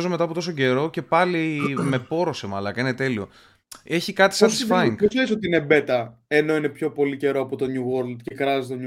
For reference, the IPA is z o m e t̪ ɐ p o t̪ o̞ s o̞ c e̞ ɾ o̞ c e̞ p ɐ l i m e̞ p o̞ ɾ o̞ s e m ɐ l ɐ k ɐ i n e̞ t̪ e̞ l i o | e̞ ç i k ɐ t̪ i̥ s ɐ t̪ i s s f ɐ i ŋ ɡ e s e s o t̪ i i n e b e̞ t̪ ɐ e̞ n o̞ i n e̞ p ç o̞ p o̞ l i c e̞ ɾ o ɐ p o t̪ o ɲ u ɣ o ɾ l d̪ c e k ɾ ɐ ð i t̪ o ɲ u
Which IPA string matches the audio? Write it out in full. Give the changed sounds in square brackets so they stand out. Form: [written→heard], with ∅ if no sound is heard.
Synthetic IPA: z o m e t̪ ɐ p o t̪ o̞ s o̞ [c→ɟ] e̞ ɾ o̞ c e̞ p ɐ l i m e̞ p o̞ ɾ o̞ s e m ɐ l ɐ k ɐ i n e̞ t̪ e̞ l i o | e̞ ç i k ɐ t̪ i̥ s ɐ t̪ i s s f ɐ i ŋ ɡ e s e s o t̪ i i n e b e̞ t̪ ɐ e̞ n o̞ i n e̞ p ç o̞ p o̞ l i c e̞ ɾ o ɐ p o t̪ o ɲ u ɣ o ɾ l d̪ c e k ɾ ɐ [ð→z] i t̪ o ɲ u